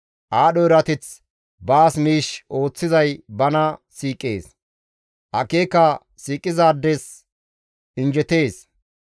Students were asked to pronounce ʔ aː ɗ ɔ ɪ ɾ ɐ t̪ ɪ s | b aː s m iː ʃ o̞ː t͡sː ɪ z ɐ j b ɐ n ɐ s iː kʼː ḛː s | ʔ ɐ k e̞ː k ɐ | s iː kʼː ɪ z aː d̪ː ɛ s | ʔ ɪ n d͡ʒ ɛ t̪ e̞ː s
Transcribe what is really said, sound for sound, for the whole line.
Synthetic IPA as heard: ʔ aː ɗ ɔ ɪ ɾ ɐ t̪ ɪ t͡s | b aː s m iː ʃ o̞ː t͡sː ɪ z ɐ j b ɐ n ɐ s iː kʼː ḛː s | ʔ ɐ k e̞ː k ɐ | s iː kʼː ɪ z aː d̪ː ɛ s | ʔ ɪ n d͡ʒ ɛ t̪ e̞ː s

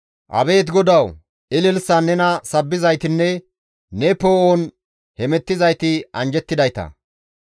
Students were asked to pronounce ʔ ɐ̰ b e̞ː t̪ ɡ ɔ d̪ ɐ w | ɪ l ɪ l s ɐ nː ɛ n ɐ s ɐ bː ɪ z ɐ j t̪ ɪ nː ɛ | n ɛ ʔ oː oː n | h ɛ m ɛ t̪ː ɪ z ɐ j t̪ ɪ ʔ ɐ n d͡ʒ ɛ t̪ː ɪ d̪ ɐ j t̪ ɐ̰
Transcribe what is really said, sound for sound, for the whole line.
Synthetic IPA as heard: ʔ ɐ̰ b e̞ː t̪ ɡ ɔ d̪ ɐ w | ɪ l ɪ l s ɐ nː ɛ n ɐ s ɐ bː ɪ z ɐ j t̪ ɪ nː ɛ | n ɛ p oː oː n | h ɛ m ɛ t̪ː ɪ z ɐ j t̪ ɪ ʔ ɐ n d͡ʒ ɛ t̪ː ɪ d̪ ɐ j t̪ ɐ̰

